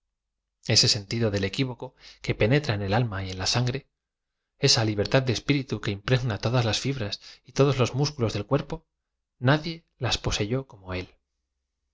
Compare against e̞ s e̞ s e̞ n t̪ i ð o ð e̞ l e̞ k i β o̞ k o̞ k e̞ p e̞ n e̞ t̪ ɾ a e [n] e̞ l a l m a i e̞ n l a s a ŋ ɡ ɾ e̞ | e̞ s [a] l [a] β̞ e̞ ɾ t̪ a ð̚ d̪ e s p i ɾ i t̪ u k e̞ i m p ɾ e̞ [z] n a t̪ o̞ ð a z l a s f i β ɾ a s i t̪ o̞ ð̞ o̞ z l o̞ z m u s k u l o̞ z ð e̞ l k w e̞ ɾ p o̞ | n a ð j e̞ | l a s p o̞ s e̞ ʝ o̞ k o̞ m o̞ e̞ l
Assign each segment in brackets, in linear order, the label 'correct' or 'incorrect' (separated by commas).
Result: correct, correct, incorrect, incorrect